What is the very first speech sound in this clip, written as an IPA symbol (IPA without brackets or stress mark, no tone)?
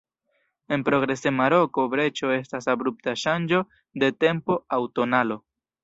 e̞